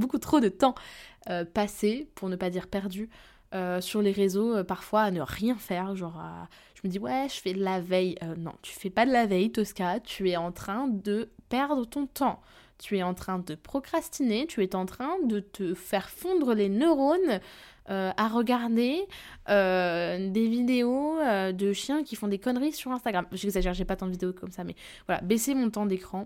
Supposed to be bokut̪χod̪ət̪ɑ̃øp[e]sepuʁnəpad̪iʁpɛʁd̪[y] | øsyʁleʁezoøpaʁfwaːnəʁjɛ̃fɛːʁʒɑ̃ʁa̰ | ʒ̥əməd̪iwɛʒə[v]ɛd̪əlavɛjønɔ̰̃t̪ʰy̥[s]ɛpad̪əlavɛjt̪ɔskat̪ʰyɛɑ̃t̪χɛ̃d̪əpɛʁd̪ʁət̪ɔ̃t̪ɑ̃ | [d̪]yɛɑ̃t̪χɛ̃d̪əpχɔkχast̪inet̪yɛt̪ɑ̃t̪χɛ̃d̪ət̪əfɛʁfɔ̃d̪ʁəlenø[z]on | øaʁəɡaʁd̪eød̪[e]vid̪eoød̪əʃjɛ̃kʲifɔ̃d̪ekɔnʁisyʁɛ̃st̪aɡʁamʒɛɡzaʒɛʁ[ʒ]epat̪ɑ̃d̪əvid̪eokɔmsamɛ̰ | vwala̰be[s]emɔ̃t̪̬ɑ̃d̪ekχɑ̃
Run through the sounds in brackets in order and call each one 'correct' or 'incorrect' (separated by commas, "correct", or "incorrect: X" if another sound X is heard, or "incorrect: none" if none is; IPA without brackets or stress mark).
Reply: incorrect: a, correct, incorrect: f, incorrect: f, incorrect: t̪, incorrect: ʁ, correct, correct, correct